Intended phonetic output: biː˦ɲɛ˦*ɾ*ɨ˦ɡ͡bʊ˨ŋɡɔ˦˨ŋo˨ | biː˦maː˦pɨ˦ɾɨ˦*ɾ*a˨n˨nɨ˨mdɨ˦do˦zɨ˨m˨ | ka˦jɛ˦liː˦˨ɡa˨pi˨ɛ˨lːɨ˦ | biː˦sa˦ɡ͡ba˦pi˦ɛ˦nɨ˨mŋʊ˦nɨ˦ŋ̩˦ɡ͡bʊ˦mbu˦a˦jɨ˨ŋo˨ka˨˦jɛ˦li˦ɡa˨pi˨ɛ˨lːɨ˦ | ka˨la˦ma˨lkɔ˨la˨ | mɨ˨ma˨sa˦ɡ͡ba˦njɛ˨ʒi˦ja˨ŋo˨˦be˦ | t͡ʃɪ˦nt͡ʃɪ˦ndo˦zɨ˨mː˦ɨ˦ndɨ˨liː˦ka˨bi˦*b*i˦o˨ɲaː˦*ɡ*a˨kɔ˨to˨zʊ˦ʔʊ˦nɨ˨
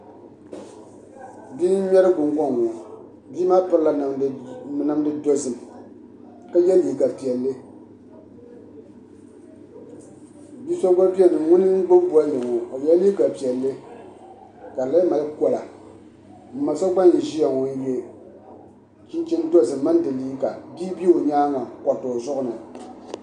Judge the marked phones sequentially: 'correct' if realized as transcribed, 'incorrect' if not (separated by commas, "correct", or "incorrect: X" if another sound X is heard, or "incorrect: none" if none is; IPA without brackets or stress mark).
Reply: correct, incorrect: l, correct, incorrect: ŋ